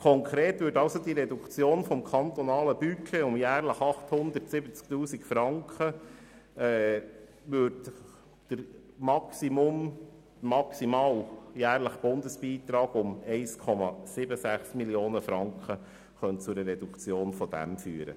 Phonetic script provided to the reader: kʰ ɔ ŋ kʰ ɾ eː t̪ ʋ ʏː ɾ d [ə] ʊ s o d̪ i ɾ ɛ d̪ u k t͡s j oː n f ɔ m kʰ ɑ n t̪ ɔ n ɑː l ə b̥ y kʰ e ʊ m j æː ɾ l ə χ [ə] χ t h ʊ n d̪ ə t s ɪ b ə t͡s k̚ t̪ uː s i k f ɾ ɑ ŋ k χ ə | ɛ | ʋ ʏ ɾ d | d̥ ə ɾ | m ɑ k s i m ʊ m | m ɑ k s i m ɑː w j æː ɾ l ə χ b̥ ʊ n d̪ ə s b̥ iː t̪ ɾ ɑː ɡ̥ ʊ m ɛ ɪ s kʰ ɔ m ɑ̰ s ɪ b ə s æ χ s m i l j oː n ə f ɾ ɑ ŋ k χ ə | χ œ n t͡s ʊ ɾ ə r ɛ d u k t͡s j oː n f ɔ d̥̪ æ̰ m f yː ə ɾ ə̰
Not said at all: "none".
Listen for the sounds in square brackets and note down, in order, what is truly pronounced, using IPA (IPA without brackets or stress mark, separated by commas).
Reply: ɑ, ɑ